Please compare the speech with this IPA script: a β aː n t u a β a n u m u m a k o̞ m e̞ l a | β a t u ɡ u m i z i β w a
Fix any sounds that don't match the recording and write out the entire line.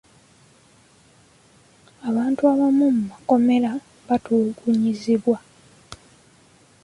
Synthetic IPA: a β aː n t u a β a m u m u m a k o̞ m e̞ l a | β a t u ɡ u ɲ i z i β w a